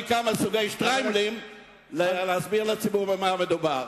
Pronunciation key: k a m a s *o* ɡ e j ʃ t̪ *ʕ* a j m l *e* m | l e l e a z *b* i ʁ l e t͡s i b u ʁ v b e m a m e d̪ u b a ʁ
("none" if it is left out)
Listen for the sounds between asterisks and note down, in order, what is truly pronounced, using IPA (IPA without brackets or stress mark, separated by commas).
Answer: u, ʁ, i, b